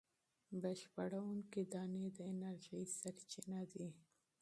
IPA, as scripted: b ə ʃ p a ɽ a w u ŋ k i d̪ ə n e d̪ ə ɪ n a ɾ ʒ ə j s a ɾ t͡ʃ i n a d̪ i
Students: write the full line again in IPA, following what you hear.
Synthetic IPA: b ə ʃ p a ɽ a w u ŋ k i d̪ ɑ n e d̪ ə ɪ n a ɾ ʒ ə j s a ɾ t͡ʃ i n a d̪ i